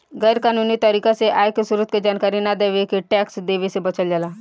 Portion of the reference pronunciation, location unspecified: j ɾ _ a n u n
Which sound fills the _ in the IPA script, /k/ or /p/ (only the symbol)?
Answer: k